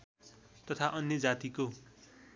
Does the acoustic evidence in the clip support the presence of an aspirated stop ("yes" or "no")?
yes